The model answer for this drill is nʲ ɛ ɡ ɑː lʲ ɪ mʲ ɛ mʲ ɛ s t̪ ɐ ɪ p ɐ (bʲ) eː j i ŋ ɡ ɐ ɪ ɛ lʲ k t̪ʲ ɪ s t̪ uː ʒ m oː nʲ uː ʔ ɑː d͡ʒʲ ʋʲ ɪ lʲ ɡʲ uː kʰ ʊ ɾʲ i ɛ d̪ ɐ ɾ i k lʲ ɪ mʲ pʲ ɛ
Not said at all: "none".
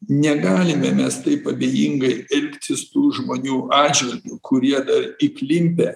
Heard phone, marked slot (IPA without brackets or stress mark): bʲ